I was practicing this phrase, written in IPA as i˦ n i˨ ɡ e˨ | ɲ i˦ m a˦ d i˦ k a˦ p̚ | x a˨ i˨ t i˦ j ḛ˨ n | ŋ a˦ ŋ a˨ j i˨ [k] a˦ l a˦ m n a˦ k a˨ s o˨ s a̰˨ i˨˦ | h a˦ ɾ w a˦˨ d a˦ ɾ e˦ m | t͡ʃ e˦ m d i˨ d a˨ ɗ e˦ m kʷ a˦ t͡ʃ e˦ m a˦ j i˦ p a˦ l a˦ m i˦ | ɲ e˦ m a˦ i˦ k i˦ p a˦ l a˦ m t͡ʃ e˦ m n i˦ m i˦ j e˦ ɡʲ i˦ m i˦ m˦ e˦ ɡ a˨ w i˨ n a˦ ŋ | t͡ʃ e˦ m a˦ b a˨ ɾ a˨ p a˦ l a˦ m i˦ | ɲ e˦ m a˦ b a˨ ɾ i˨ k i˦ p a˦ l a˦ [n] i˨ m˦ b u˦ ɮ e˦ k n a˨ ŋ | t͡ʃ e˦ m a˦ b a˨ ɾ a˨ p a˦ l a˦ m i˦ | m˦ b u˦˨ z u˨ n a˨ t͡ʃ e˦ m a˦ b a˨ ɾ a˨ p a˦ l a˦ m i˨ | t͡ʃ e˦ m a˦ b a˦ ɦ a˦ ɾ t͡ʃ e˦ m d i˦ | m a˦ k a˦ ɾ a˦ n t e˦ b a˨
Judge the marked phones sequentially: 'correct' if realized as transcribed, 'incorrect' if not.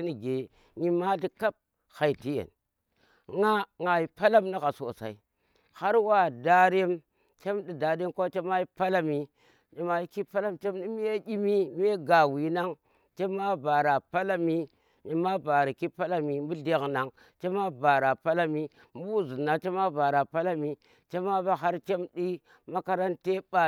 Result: incorrect, incorrect

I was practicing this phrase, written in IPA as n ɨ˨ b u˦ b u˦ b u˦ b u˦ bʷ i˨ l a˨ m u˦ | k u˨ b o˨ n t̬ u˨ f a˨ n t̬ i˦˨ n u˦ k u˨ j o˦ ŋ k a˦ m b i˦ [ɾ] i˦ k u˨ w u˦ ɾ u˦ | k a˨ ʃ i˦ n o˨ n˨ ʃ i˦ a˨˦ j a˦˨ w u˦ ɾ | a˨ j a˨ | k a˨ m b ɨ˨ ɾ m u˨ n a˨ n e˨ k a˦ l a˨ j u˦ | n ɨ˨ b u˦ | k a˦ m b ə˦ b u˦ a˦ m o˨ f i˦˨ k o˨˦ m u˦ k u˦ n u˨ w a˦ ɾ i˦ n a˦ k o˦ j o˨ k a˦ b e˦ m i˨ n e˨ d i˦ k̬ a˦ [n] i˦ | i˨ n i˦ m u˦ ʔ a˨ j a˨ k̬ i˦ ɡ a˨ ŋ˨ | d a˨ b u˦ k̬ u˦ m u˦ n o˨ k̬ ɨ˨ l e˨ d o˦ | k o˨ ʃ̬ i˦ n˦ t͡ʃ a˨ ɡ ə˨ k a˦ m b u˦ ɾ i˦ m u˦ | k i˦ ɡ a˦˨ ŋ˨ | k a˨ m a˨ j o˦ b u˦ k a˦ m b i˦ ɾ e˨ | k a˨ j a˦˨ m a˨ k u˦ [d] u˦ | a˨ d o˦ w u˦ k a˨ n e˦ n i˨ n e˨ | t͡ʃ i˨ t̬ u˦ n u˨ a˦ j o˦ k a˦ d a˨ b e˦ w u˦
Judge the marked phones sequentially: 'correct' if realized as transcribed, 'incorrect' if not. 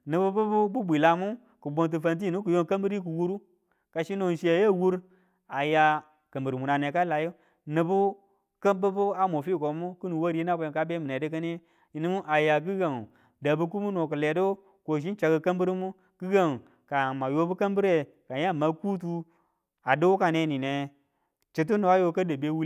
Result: correct, correct, incorrect

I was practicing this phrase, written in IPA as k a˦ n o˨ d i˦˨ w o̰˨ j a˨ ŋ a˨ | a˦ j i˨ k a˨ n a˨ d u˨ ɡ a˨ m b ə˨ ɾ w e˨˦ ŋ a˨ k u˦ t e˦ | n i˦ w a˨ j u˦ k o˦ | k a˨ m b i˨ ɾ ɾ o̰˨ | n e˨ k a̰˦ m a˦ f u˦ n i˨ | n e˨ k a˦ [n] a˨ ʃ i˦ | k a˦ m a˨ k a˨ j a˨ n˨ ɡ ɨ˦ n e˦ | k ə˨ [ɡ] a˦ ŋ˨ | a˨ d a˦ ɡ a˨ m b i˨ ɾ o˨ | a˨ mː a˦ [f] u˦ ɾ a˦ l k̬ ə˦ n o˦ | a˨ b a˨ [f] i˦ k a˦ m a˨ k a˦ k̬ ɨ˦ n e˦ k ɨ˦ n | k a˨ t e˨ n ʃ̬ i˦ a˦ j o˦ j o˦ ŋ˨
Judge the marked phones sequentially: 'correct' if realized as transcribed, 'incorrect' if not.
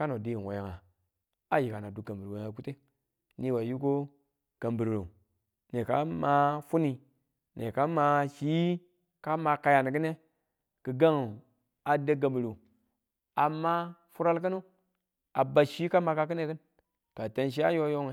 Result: incorrect, correct, correct, incorrect

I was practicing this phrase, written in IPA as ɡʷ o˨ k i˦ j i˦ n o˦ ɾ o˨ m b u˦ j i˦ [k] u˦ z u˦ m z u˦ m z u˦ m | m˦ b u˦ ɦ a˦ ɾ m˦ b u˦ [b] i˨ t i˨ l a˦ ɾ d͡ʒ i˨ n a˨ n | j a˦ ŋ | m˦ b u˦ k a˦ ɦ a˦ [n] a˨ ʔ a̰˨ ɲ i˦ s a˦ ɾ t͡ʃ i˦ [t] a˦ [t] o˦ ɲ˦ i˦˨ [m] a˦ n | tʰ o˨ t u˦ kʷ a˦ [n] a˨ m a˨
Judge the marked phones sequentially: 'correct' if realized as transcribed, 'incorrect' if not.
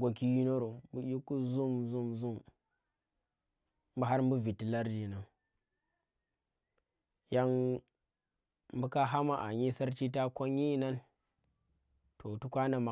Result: correct, incorrect, incorrect, correct, incorrect, incorrect, correct

